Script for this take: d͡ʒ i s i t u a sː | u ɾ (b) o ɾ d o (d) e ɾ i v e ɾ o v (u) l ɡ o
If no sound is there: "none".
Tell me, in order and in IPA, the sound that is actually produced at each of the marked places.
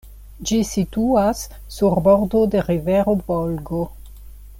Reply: b, d, o

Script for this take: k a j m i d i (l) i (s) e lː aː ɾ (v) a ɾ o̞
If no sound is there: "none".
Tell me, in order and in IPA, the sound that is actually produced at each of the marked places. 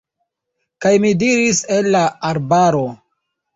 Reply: ɾ, s, b

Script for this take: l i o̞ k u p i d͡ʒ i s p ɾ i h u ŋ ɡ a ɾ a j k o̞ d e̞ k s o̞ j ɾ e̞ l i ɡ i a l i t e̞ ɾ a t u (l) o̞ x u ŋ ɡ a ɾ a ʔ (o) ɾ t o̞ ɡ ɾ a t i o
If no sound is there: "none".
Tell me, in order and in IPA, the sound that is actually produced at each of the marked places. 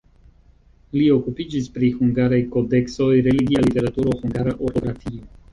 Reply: ɾ, o

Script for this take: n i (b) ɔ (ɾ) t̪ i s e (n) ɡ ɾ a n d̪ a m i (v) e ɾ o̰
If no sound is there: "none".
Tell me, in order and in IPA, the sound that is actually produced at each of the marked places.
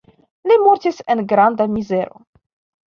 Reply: m, ɾ, n, z

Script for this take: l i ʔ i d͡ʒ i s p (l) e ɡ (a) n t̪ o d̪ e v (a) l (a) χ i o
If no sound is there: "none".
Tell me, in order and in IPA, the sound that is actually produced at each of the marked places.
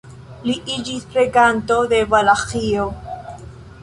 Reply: ɾ, a, a, a

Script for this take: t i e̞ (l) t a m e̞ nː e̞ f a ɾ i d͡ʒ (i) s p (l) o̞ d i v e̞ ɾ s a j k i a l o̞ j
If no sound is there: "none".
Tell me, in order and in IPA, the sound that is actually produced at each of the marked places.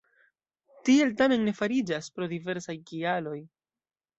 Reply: l, a, ɾ

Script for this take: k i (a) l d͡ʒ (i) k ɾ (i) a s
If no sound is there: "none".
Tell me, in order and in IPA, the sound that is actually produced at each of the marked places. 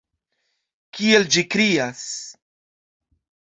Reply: e, i, i

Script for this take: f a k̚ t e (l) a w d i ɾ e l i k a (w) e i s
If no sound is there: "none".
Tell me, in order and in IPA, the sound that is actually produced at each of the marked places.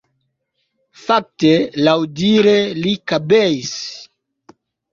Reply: l, b

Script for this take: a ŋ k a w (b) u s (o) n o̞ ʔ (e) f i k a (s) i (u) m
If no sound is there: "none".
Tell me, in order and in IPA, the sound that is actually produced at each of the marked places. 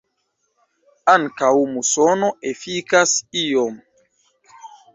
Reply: m, o, e, s, o

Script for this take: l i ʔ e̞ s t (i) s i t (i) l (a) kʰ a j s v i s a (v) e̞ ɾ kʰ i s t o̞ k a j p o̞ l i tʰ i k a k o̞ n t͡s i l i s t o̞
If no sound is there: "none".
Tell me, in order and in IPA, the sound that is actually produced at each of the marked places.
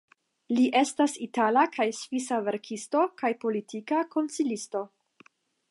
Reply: a, a, a, v

